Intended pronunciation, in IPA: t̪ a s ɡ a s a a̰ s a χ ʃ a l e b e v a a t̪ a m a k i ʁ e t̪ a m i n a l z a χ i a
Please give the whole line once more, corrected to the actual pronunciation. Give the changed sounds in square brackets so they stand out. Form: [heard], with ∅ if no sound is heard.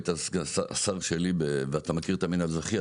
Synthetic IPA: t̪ a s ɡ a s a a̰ s a [ʁ] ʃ [e] l [i] b e v [e] a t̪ a m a k i ʁ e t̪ a m i n a l z a χ i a